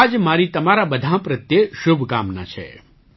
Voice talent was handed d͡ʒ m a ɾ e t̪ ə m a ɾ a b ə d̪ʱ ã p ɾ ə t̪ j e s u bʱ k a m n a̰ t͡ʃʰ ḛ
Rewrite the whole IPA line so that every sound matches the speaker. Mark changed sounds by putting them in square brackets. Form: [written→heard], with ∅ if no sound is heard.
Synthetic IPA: d͡ʒ m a ɾ [e→i] t̪ ə m a ɾ a b ə d̪ʱ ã p ɾ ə t̪ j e [s→ʃ] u bʱ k a m n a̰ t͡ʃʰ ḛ